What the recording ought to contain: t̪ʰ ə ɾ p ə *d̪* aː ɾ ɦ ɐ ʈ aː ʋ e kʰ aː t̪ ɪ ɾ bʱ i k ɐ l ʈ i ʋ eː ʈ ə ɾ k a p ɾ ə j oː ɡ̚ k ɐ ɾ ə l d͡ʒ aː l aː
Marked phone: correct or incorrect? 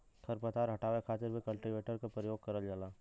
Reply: incorrect